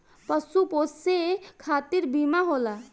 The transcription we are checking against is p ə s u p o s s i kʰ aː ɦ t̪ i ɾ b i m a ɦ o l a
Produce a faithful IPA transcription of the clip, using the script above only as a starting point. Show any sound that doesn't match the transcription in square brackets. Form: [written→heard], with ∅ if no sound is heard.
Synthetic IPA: p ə s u p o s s [i→e] kʰ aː [ɦ→∅] t̪ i ɾ b i m a ɦ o l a